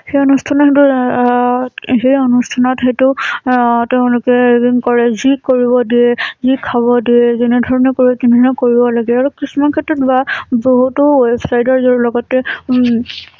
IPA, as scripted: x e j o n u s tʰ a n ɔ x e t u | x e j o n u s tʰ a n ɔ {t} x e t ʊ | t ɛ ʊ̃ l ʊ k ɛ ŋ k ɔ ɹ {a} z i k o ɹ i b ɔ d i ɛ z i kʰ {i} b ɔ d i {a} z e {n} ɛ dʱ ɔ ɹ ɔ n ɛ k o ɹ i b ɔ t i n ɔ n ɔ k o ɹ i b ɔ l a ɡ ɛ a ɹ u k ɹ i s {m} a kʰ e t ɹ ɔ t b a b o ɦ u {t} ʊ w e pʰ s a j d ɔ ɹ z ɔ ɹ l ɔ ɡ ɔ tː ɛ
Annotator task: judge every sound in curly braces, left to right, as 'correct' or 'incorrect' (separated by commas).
correct, incorrect, incorrect, incorrect, correct, correct, correct